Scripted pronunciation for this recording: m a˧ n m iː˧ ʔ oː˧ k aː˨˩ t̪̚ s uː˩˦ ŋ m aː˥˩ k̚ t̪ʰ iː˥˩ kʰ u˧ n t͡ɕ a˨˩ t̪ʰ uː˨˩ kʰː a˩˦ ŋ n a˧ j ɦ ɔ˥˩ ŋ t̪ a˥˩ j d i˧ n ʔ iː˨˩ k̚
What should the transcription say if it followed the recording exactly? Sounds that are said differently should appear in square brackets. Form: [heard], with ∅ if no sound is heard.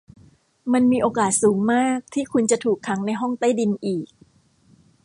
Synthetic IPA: m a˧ n m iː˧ ʔ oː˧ k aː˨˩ t̪̚ s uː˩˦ ŋ m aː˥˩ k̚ t̪ʰ iː˥˩ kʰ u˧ n t͡ɕ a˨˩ t̪ʰ uː˨˩ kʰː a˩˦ ŋ n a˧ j ɦ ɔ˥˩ ŋ t̪ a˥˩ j d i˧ n ʔ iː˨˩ k̚